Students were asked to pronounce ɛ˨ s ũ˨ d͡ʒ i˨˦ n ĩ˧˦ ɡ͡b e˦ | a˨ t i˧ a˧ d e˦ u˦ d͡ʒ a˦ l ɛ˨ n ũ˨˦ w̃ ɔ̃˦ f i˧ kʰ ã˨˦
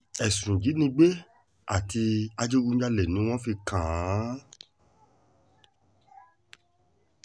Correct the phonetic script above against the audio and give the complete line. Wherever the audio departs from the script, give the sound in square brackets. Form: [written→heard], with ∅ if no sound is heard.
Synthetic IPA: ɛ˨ s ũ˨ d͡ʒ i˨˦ n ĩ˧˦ ɡ͡b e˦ | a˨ t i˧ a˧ [d→d͡ʒ] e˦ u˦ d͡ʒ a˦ l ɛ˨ n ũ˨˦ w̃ ɔ̃˦ f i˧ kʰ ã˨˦